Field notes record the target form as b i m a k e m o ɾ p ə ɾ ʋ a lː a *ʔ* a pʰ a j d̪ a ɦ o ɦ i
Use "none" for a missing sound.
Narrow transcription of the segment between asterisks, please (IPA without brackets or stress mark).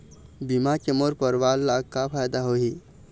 k